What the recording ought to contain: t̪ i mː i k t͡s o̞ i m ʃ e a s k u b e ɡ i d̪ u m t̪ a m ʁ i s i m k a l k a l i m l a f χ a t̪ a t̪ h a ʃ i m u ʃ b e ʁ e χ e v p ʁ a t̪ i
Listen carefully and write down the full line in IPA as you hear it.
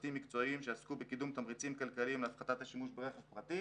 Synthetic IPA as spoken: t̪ i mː i k t͡s o̞ i m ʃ e a s k u b e k i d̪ u m t̪ a m ʁ i t͡s i m k a l k a l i m l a f χ a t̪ a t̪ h a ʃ i m u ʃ b e ʁ e χ e v p ʁ a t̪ i